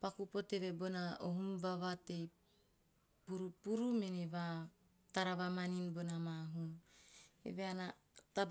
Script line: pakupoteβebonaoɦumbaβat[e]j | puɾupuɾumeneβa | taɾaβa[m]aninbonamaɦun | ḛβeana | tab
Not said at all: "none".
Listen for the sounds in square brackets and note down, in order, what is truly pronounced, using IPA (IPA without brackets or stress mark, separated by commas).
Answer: e, m